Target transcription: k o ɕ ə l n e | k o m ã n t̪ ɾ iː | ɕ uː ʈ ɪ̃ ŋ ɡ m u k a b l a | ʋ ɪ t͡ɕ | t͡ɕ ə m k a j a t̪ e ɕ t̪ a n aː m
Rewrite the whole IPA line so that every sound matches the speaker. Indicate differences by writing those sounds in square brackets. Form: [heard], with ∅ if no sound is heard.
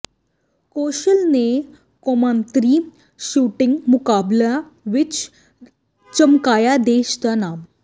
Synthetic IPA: k o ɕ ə l n e | k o m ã n t̪ ɾ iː | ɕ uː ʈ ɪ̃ ŋ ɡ m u k a b l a | ʋ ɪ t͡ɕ | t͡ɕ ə m k a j a [d̪] e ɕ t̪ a n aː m